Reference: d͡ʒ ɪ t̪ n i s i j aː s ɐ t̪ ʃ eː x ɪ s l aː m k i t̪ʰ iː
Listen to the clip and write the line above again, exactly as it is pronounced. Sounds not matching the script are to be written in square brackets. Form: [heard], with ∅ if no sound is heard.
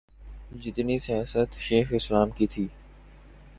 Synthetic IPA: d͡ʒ ɪ t̪ n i s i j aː s [ə] t̪ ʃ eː x ɪ s l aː m k i t̪ʰ iː